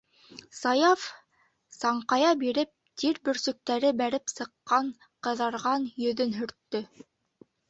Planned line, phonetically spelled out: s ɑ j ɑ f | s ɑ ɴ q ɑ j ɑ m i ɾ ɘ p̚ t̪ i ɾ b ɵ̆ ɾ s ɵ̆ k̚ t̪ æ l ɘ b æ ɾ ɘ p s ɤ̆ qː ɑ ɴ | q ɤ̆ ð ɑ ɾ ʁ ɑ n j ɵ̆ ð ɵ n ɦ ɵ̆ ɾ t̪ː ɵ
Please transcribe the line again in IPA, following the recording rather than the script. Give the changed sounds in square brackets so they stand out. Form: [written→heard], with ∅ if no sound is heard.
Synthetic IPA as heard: s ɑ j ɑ f | s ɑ ɴ q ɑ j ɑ [m→b] i ɾ ɘ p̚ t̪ i ɾ b ɵ̆ ɾ s ɵ̆ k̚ t̪ æ [l→ɾ] ɘ b æ ɾ ɘ p s ɤ̆ qː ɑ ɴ | q ɤ̆ ð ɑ ɾ ʁ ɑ n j ɵ̆ ð ɵ n ɦ ɵ̆ ɾ t̪ː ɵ